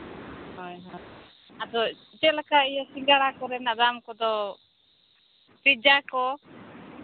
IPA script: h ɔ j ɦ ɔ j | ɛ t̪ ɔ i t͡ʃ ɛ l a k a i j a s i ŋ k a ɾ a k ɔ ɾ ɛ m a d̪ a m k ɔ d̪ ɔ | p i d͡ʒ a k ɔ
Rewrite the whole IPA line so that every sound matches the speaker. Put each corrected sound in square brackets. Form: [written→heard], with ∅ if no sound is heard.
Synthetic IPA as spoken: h ɔ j ɦ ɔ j | [ɛ→a] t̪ ɔ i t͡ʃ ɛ l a k a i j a s i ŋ [k→ɡ] a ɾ a k ɔ ɾ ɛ [m→n] a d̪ a m k ɔ d̪ ɔ | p i d͡ʒ a k ɔ

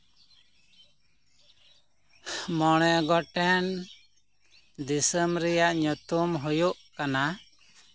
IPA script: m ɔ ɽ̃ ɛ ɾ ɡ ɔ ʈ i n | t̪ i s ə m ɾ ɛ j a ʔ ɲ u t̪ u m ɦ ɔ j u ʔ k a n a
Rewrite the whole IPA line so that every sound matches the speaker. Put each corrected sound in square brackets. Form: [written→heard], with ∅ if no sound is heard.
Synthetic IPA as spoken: m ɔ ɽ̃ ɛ [ɾ→∅] ɡ ɔ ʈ [i→ɛ] n | [t̪→d̪] i s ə m ɾ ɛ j a ʔ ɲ u t̪ u m ɦ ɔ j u ʔ k a n a

